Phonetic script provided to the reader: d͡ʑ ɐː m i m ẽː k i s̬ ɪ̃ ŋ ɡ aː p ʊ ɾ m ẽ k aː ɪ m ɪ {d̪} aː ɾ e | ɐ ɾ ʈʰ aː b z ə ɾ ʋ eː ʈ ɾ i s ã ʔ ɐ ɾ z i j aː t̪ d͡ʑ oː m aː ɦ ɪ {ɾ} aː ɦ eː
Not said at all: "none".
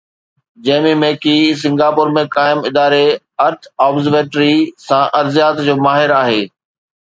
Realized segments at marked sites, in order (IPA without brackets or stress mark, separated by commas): d̪, ɾ